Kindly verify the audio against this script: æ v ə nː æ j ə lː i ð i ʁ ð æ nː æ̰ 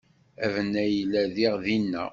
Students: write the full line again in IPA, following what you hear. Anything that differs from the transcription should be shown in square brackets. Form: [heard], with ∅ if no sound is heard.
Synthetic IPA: æ v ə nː æ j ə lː [æ] ð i ʁ ð [i] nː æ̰